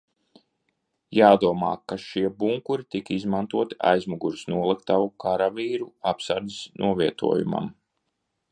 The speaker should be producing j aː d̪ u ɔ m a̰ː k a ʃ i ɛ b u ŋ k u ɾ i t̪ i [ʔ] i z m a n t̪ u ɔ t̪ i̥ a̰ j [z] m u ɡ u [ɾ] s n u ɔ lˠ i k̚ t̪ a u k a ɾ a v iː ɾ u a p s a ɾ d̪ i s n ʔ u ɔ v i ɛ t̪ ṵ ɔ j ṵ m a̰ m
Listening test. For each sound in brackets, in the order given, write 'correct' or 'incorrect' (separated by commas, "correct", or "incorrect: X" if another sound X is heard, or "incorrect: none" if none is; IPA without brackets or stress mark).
incorrect: k, correct, correct